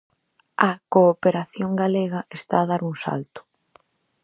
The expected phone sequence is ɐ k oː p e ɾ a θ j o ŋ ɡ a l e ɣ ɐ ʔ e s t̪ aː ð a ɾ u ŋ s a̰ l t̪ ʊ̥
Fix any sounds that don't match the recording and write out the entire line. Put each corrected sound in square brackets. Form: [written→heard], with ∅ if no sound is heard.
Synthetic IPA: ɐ k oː p e ɾ a θ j o ŋ ɡ a l e ɣ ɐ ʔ e s t̪ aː ð a ɾ u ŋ s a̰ l t̪ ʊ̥